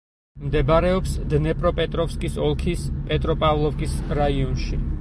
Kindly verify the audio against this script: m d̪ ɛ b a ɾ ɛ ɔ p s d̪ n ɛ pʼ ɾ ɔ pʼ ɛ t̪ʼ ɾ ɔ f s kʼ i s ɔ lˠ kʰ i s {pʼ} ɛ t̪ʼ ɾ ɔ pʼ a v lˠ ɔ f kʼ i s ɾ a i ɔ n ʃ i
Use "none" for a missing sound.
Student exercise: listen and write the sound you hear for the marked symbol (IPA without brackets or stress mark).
pʼ